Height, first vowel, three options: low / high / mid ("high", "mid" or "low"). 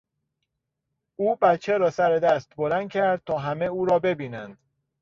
high